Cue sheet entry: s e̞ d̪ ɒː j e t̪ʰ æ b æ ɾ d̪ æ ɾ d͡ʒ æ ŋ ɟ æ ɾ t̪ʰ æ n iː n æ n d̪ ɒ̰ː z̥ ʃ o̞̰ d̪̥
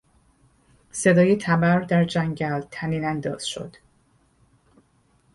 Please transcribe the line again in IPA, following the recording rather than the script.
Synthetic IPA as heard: s e̞ d̪ ɒː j e t̪ʰ æ b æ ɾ d̪ æ ɾ d͡ʒ æ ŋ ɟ æ l t̪ʰ æ n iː n æ n d̪ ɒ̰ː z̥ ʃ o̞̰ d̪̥